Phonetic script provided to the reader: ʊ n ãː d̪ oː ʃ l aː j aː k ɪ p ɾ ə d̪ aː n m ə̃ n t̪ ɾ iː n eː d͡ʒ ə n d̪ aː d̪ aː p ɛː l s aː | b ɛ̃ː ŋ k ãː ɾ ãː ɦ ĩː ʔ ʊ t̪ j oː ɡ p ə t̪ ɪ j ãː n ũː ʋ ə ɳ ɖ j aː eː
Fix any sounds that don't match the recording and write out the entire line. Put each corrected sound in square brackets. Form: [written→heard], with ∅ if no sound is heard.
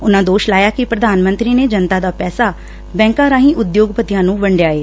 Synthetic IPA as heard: ʊ n ãː d̪ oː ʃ l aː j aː k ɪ p ɾ ə d̪ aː n m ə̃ n t̪ ɾ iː n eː d͡ʒ ə n [d̪→t̪] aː d̪ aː p ɛː [l→∅] s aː | b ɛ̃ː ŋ k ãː ɾ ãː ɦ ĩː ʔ ʊ [t̪→d̪] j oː ɡ p ə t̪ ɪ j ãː n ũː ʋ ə ɳ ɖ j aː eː